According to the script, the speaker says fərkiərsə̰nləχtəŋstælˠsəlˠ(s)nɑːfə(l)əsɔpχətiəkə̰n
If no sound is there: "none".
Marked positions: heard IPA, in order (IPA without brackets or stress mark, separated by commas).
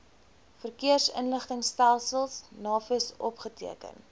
s, none